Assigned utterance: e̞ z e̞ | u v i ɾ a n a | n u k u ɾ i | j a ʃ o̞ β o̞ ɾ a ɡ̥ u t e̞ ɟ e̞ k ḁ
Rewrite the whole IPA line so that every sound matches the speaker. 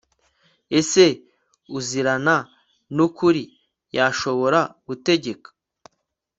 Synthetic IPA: e̞ s e̞ | u z i ɾ a n a | n u k u ɾ i | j a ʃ o̞ β o̞ ɾ a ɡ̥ u t e̞ ɟ e̞ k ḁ